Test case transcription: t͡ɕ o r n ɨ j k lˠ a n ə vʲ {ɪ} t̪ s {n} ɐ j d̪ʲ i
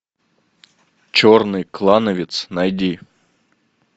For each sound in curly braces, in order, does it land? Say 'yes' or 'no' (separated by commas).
yes, yes